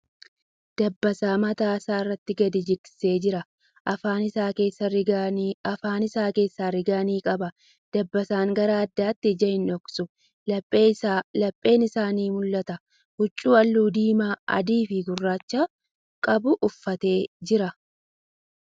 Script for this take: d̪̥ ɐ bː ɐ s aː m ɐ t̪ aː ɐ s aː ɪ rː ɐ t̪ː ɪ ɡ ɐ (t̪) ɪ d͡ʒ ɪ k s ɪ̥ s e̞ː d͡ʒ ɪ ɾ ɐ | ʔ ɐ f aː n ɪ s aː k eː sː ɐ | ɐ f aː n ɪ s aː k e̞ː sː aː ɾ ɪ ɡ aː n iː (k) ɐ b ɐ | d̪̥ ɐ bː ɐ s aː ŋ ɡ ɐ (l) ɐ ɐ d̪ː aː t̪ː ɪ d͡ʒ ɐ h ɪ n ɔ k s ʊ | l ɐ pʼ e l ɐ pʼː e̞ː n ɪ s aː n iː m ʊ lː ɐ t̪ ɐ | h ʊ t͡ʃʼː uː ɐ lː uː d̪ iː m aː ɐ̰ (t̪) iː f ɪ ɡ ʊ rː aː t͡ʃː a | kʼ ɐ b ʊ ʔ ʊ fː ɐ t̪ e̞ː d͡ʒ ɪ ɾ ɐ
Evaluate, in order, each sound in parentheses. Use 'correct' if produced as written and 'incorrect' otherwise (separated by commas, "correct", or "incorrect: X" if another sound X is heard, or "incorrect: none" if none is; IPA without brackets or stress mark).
incorrect: d̪, incorrect: kʼ, incorrect: ɾ, incorrect: d̪